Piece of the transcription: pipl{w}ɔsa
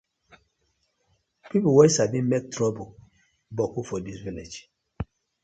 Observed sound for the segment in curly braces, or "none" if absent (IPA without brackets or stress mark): w